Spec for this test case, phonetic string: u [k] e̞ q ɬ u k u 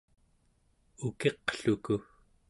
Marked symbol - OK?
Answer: yes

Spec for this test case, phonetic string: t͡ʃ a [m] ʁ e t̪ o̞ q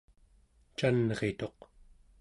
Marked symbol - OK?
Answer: no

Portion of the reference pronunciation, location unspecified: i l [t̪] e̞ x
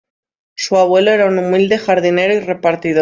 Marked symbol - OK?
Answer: no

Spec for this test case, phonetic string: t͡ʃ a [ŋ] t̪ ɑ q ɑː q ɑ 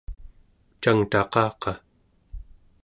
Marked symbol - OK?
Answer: yes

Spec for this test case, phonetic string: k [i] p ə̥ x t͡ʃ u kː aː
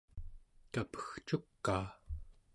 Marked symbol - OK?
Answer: no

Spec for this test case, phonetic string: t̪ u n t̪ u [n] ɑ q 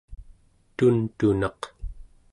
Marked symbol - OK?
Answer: yes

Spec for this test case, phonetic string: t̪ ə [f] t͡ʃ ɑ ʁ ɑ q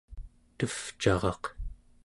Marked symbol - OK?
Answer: yes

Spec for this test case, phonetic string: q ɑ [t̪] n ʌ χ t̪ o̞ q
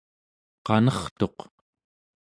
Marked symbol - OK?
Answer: no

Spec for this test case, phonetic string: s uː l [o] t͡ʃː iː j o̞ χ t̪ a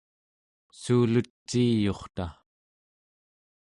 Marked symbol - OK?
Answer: no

